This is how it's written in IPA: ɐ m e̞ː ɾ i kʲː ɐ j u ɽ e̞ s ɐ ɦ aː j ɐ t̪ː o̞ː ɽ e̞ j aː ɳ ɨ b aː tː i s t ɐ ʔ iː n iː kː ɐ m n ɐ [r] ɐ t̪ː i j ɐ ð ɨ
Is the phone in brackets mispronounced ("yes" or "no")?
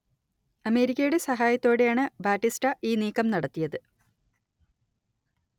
yes